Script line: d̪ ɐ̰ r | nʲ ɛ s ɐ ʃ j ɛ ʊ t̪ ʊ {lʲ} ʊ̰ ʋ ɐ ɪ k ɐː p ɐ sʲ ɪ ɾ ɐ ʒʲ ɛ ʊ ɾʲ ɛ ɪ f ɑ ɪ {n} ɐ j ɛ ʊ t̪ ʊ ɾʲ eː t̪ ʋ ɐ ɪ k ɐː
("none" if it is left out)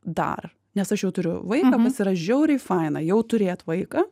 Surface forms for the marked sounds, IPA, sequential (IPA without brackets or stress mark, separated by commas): ɾʲ, n